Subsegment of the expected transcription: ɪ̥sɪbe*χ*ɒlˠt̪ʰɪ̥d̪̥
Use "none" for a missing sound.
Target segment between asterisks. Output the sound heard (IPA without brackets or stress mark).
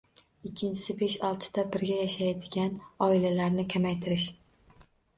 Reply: ʃ